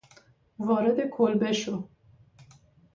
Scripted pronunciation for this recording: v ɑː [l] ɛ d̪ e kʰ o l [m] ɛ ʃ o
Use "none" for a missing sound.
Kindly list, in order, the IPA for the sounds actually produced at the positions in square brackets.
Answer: ɾ, b

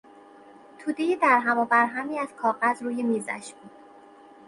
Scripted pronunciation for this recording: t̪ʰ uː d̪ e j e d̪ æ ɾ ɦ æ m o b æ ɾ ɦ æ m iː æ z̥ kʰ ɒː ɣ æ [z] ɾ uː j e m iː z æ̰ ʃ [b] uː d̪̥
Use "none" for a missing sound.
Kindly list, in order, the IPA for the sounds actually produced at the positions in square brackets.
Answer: z, b

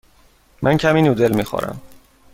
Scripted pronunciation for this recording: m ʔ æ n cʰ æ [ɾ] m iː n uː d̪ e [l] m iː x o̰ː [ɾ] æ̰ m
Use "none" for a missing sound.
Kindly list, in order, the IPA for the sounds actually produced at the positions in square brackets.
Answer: none, l, ɾ

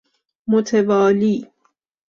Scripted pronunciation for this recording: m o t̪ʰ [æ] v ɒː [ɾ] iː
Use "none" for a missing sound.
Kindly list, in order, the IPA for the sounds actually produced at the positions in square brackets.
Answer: e, l

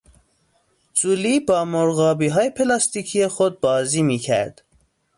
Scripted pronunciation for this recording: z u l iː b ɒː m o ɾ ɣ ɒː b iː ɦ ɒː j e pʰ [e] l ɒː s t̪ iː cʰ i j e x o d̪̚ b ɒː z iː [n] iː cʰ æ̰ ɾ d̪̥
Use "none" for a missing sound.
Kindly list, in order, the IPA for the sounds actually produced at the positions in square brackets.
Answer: e, m

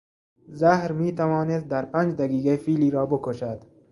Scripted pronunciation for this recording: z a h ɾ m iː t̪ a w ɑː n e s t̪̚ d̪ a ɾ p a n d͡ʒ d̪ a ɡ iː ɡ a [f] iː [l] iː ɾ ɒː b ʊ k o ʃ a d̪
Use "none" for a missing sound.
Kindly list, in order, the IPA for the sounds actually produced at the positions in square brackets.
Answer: f, l

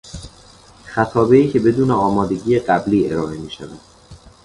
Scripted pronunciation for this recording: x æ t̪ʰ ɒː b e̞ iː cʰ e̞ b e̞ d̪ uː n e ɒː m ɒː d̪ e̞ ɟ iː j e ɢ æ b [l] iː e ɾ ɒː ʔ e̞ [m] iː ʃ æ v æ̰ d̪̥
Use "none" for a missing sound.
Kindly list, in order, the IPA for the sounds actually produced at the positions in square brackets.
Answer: l, m

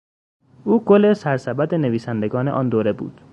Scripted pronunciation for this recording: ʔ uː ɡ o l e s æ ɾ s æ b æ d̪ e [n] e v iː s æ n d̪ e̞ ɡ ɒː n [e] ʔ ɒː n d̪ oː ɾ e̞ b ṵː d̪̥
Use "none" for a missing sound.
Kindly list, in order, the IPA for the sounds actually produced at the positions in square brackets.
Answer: n, e

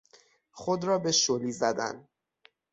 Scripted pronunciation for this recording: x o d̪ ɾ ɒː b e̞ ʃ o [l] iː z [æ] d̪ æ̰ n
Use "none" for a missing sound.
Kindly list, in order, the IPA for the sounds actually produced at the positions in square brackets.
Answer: l, æ

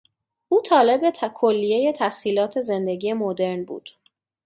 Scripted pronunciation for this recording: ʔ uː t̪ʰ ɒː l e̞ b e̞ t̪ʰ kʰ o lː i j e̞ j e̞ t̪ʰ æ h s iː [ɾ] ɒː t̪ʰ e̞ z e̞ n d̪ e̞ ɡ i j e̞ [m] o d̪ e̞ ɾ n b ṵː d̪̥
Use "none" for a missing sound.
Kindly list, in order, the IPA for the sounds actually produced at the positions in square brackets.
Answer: l, m

